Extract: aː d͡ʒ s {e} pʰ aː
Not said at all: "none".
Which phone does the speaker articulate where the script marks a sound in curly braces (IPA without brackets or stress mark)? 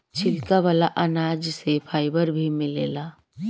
e